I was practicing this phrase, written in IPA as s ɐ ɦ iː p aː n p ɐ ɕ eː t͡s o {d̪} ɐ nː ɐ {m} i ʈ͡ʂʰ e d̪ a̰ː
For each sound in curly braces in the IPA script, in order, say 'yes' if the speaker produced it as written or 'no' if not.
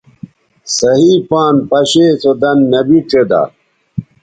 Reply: yes, no

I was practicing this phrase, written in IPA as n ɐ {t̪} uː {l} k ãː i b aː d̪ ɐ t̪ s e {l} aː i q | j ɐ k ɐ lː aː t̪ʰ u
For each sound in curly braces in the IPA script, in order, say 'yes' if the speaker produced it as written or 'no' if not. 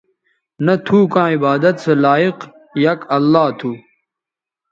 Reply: no, no, yes

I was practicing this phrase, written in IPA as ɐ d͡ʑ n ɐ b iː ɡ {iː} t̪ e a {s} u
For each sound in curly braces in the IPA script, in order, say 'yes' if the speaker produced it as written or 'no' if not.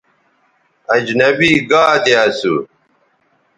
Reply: no, yes

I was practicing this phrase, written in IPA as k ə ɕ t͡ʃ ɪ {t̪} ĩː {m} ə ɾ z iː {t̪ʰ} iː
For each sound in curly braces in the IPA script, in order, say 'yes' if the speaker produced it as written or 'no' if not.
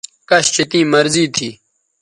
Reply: yes, yes, yes

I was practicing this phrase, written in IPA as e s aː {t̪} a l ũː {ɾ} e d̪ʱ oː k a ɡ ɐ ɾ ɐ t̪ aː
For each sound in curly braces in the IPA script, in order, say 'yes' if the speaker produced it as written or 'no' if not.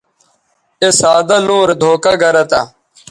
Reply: no, yes

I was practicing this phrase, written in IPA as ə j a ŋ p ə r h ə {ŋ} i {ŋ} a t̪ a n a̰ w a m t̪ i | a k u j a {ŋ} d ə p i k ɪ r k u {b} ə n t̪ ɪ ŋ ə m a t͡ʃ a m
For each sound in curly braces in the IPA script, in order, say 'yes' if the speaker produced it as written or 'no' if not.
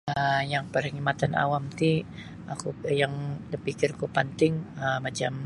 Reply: yes, no, yes, no

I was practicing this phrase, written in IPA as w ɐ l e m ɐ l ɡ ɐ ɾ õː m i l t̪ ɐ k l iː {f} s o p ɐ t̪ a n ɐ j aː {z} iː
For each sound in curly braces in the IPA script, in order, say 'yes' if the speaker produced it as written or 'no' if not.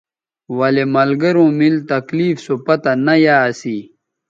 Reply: yes, no

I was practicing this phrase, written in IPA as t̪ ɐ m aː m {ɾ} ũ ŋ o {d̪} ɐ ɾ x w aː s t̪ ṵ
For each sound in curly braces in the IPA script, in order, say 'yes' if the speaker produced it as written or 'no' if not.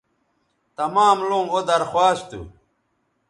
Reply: no, yes

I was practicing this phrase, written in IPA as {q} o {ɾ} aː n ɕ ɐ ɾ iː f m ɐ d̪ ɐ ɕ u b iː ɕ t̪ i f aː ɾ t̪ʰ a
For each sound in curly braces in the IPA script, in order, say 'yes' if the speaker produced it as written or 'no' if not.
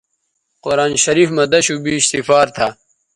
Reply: yes, yes

